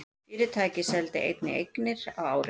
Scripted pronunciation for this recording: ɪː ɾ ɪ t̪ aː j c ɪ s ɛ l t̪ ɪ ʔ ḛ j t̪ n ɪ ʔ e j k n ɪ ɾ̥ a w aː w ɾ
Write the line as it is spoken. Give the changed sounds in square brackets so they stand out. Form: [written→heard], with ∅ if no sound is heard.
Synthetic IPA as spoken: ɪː ɾ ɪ [t̪→t̪ʰ] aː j c ɪ s ɛ l t̪ ɪ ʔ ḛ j t̪ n ɪ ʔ e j k n ɪ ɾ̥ a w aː w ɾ